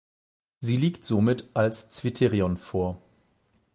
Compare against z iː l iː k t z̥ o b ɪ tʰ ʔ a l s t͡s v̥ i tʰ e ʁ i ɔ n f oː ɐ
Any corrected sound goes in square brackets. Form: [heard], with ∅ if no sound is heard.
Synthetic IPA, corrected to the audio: z iː l iː k t z̥ o [m] ɪ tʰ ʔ a l s t͡s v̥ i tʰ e ʁ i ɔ n f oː ɐ